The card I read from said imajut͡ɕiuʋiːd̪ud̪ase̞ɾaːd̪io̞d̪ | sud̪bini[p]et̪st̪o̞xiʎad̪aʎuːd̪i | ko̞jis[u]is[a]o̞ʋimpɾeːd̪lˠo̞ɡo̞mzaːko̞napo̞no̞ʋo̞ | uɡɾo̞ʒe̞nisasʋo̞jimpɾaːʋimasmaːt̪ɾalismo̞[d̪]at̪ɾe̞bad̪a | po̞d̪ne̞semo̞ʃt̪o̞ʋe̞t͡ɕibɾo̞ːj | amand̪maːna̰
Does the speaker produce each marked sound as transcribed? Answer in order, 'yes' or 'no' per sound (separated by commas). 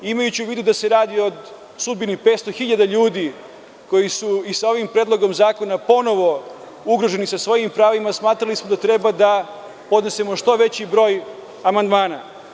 yes, yes, yes, yes